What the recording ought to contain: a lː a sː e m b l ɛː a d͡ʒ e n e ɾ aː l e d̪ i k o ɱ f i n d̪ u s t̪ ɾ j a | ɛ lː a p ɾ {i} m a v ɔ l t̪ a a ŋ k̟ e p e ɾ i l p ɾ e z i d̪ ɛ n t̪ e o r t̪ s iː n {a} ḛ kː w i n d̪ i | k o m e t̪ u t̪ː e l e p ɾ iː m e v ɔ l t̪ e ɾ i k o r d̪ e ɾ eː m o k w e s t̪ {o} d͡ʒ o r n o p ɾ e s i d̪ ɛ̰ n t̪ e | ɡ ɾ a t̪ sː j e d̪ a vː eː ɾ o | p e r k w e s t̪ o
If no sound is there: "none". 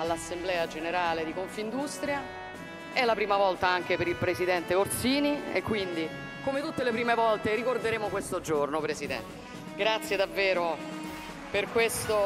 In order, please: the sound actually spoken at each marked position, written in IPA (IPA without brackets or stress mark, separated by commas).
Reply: iː, i, o